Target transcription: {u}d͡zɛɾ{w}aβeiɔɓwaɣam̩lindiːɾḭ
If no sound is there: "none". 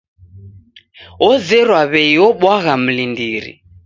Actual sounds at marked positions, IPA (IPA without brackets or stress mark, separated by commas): ɔ, w